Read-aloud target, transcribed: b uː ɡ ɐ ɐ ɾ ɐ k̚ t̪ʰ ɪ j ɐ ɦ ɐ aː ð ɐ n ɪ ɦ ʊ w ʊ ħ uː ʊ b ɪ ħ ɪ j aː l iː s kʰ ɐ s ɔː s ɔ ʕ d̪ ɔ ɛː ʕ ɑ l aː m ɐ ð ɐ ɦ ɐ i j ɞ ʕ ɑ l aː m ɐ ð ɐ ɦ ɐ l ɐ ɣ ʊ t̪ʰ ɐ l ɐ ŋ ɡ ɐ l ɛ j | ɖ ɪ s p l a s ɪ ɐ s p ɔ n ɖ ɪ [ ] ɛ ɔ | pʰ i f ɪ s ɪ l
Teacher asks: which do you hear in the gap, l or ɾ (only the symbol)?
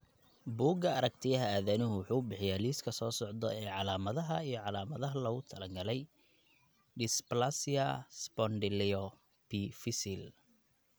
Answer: l